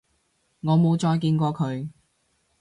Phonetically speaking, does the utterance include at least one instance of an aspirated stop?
yes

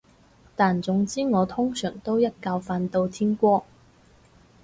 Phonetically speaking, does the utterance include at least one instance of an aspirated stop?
yes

